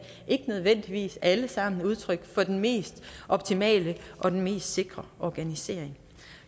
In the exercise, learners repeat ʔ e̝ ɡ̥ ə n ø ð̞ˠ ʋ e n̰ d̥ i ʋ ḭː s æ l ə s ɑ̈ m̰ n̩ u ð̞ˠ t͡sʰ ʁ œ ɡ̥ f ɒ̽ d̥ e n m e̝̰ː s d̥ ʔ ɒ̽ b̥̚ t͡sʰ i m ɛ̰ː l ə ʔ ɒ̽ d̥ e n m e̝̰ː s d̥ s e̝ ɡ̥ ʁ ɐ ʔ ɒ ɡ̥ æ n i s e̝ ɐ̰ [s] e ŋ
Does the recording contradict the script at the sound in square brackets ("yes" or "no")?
yes